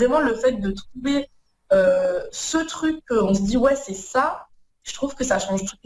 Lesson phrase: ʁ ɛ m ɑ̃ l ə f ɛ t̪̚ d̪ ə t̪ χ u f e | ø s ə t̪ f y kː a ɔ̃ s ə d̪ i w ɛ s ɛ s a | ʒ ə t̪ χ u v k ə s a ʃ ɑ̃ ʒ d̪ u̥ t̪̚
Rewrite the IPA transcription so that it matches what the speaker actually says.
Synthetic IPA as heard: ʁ ɛ m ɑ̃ l ə f ɛ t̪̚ d̪ ə t̪ χ u v e | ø s ə t̪ χ y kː ə ɔ̃ s ə d̪ i w ɛ s ɛ s a | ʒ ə t̪ χ u v k ə s a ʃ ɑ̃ ʒ t̪ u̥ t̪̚